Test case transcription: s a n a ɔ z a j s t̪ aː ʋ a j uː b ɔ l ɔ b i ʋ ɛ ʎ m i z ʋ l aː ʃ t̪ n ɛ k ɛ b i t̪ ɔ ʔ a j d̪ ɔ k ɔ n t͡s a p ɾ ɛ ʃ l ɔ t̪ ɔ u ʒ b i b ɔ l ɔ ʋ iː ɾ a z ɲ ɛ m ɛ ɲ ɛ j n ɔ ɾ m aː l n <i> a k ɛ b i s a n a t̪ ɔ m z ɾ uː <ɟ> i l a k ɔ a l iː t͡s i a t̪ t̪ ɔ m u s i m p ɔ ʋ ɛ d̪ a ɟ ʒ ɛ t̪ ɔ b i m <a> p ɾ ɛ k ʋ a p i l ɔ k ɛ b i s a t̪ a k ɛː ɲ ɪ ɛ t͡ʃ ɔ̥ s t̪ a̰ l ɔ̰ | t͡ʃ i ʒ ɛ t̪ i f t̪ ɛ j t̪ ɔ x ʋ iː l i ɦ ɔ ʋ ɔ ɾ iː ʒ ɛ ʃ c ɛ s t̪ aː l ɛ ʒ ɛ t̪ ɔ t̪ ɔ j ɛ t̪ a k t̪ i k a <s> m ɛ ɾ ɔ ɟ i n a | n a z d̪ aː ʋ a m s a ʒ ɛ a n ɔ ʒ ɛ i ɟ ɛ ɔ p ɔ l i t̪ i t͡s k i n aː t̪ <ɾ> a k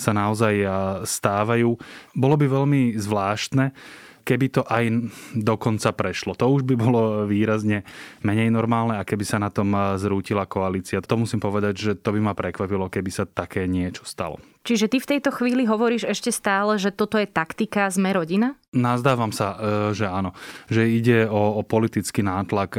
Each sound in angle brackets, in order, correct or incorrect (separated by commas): incorrect, incorrect, correct, incorrect, incorrect